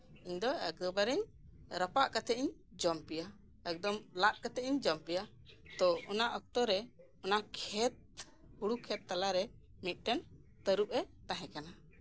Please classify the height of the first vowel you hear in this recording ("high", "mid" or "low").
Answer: high